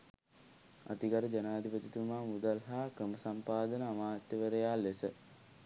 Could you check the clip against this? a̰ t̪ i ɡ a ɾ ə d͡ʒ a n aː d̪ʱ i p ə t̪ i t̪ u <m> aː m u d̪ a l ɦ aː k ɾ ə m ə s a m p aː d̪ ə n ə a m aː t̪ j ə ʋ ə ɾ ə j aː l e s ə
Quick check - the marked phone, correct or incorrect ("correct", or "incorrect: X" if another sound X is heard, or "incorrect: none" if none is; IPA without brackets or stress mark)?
correct